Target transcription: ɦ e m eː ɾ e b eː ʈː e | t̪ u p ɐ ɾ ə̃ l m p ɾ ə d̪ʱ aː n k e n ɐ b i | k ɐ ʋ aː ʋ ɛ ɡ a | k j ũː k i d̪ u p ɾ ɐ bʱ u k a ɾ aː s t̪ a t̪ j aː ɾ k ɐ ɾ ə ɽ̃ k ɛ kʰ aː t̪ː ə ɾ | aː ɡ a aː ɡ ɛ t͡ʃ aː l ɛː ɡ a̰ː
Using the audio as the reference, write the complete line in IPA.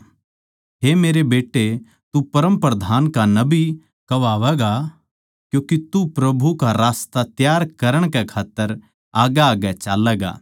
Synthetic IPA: ɦ e m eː ɾ e b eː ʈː e | t̪ u p ɐ ɾ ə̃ m p ɾ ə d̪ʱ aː n k a n ɐ b i | k ɐ ʋ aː ʋ ɛ ɡ a | k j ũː k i t̪ u p ɾ ɐ bʱ u k a ɾ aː s t̪ a t̪ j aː ɾ k ɐ ɾ ə ɽ̃ k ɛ kʰ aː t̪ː ə ɾ | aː ɡ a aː ɡ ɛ t͡ʃ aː l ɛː ɡ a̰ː